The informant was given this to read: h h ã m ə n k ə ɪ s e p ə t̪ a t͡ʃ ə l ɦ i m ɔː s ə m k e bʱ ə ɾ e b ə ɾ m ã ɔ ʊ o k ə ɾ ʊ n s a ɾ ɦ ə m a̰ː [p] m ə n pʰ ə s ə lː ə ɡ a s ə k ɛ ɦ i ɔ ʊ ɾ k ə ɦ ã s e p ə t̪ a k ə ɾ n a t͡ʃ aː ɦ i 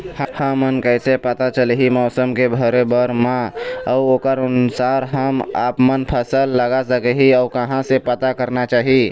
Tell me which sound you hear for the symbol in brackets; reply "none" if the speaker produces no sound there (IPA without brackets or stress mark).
p